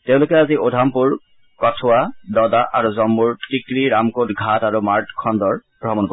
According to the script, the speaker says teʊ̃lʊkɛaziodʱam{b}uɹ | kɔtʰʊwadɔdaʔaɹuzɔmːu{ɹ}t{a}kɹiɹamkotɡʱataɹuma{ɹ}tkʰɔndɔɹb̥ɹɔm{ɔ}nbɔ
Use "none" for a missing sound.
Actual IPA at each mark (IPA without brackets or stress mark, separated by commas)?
p, ɹ, i, ɹ, ɔ